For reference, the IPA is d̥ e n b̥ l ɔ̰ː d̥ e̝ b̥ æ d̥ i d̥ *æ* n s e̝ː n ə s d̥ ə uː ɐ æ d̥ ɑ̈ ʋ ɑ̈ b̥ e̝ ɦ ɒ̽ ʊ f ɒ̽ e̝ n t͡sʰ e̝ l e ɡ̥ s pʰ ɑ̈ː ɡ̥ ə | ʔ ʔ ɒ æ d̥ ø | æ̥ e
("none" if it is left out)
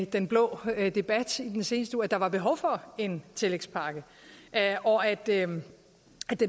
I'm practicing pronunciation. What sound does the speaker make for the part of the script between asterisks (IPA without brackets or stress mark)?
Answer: e